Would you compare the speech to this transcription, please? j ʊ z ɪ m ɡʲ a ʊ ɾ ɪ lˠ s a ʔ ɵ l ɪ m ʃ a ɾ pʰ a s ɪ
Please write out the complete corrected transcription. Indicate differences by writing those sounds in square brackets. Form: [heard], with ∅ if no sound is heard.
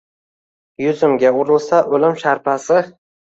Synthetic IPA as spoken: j ʊ z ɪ m ɡʲ a ʊ ɾ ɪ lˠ s a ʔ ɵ l ɪ m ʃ a ɾ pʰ a s ɪ